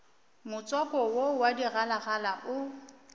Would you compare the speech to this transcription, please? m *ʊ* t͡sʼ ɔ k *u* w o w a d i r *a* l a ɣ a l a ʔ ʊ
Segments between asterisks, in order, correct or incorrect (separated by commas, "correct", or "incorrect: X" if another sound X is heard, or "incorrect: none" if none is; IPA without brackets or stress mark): correct, incorrect: ɔ, correct